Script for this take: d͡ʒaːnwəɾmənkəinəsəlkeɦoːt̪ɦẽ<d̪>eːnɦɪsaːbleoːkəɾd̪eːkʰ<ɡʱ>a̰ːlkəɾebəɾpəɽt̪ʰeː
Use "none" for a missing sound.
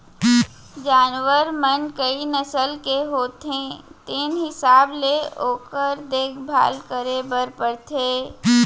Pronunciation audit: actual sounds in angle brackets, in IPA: t̪, bʱ

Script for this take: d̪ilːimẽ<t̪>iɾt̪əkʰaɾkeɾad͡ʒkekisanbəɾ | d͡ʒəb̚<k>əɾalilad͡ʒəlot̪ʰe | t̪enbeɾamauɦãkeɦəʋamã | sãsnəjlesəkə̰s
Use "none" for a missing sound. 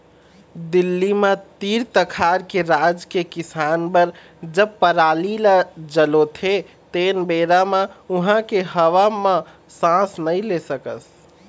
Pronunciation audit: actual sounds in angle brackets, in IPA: t̪, p

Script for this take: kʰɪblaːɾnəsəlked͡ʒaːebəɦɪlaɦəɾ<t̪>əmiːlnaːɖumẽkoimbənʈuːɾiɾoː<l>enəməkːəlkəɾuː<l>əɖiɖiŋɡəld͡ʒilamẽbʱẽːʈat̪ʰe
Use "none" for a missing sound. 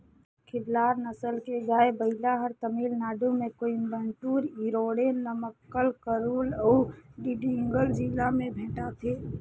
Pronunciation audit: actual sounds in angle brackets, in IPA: t̪, ɽ, l

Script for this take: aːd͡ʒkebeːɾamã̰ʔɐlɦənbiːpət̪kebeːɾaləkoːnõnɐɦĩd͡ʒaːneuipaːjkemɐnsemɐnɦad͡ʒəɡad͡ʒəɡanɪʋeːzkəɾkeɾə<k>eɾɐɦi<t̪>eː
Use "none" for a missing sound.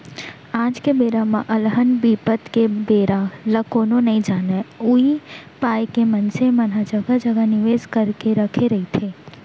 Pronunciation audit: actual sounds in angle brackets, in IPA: kʰ, t̪ʰ

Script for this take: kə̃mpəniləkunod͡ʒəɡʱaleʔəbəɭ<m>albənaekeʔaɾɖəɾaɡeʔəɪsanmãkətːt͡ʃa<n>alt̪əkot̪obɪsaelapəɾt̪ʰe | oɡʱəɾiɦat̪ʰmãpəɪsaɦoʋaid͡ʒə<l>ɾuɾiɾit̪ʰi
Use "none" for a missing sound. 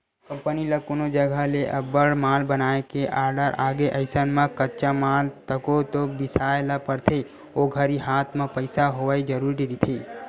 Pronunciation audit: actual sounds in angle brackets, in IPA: m, m, none

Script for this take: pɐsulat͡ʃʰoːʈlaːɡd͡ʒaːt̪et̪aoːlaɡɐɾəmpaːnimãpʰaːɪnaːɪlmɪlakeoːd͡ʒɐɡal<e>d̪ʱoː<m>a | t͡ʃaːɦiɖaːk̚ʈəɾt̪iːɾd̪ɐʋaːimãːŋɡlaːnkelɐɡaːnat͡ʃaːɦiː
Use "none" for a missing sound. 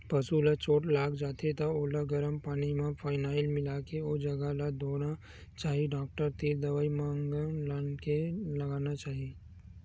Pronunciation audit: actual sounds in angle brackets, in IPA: a, n

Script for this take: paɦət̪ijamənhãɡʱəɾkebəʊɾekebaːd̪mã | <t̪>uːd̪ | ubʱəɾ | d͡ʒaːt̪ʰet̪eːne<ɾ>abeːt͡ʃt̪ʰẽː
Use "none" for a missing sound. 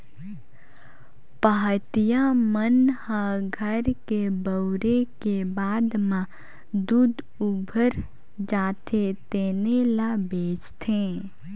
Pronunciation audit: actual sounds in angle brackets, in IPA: d̪, l

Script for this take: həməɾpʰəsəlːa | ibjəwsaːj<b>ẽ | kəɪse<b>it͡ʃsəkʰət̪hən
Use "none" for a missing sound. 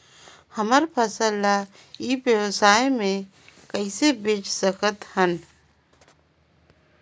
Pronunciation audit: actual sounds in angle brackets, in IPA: m, b

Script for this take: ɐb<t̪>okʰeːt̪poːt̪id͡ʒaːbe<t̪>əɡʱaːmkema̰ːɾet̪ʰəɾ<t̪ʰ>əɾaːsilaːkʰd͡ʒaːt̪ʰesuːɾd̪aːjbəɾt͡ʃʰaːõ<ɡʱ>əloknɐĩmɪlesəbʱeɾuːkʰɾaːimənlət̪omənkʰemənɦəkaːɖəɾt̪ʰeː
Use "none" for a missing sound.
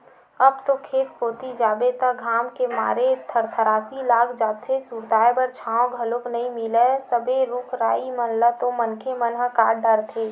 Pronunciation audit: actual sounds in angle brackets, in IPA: t̪, t̪, t̪ʰ, ɡʱ

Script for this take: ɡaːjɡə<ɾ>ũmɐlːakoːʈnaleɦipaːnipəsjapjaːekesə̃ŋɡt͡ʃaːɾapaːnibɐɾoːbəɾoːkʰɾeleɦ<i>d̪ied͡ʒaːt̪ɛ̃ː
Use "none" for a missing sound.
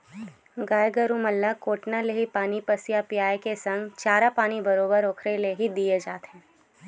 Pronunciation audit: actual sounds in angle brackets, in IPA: ɾ, i

